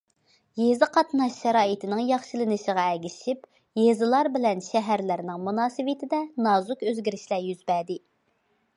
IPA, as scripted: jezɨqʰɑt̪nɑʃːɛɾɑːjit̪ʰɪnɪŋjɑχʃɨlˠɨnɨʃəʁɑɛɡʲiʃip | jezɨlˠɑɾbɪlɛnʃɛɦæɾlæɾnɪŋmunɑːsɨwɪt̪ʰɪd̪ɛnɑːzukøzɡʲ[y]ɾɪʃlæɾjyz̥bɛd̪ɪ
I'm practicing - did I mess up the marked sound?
yes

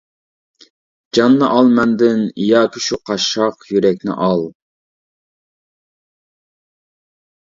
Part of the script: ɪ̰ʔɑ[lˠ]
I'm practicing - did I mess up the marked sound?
no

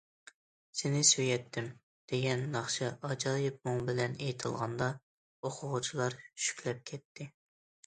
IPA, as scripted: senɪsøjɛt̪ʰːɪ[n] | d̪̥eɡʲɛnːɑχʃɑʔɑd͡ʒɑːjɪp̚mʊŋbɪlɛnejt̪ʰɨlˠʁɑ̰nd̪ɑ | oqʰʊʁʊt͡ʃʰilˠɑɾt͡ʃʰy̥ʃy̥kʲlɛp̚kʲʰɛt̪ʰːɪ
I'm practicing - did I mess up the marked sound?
yes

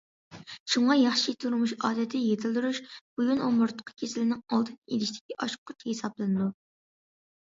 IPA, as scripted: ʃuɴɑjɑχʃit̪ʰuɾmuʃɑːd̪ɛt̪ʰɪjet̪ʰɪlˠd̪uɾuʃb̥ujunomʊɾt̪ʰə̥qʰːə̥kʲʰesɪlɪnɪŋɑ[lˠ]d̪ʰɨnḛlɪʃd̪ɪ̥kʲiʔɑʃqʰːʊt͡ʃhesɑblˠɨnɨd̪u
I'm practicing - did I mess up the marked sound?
no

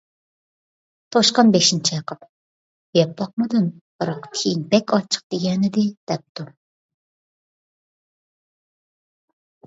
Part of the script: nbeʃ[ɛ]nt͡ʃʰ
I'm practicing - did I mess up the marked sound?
yes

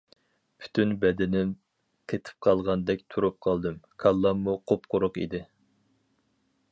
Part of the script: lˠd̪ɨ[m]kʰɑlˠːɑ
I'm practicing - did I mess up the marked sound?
no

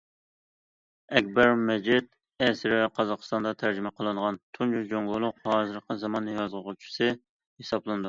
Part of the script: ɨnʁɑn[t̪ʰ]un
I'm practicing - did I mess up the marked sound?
no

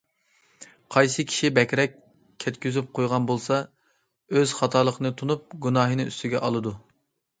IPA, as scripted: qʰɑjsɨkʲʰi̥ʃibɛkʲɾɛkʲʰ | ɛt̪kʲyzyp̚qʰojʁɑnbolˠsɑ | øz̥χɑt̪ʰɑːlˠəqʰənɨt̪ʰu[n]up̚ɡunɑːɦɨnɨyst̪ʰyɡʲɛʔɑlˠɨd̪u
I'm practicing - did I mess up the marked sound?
no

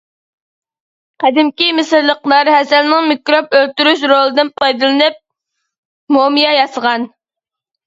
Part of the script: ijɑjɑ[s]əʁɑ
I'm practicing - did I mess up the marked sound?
no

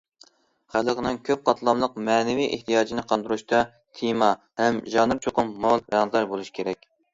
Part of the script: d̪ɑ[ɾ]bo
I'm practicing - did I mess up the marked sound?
no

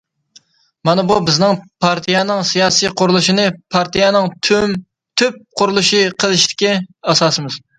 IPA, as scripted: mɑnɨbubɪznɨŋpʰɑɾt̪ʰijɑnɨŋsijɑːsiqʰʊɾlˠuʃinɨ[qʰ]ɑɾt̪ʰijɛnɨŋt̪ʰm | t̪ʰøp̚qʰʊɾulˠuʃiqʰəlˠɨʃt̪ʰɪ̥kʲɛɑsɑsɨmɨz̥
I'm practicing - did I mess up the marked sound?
yes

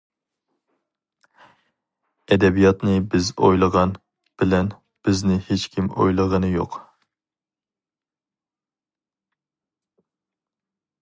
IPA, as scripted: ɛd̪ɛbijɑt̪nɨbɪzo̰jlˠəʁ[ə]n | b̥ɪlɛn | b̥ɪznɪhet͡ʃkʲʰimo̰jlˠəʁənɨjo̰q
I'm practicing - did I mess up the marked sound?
yes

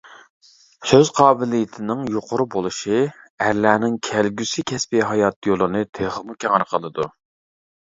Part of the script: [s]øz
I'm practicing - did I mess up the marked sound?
no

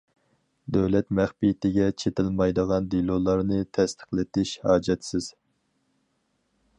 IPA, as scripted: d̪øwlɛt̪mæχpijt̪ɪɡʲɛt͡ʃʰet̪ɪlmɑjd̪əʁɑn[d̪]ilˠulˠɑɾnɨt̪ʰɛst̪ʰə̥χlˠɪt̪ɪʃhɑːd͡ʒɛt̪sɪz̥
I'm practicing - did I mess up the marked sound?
no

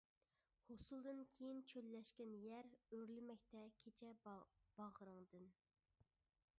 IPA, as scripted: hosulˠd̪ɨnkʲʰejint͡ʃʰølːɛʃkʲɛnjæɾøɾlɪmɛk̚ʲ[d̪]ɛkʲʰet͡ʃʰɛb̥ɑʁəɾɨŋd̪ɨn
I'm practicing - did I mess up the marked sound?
yes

